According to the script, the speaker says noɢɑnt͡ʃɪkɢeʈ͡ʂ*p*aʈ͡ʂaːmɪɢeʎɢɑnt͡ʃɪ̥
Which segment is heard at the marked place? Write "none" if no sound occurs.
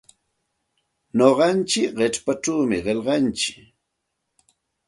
p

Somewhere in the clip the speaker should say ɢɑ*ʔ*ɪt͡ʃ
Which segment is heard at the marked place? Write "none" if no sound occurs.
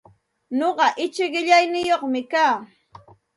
ʔ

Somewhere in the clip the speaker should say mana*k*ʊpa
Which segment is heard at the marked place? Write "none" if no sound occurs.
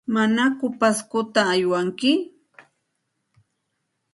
k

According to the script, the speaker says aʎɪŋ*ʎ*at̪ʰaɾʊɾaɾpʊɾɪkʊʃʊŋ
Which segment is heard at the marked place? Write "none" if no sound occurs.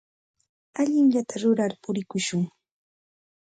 ʎ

